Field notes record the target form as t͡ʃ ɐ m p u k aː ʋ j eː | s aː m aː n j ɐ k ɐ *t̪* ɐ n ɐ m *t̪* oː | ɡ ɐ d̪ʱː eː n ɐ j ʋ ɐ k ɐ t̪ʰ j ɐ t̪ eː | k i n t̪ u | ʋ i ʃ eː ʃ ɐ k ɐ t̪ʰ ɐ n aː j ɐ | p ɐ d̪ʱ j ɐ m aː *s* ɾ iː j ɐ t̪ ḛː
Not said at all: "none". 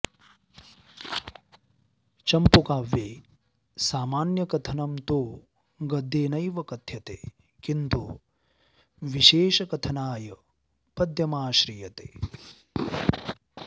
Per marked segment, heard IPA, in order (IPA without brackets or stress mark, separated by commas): t̪ʰ, t̪, ʃ